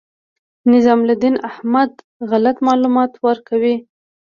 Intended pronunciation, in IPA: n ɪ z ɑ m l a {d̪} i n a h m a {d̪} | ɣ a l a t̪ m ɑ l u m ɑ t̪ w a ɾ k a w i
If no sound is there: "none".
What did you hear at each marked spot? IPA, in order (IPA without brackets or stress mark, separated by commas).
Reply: d̪, d̪